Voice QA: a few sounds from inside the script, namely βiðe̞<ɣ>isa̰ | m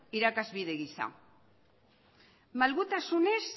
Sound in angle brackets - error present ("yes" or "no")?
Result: no